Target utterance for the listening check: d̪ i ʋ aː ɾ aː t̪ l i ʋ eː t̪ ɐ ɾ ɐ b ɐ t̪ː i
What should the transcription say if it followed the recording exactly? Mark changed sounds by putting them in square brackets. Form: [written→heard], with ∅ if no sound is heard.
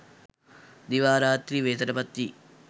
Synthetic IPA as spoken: d̪ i ʋ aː ɾ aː t̪ [l→ɾ] i ʋ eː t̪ ɐ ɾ ɐ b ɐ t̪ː i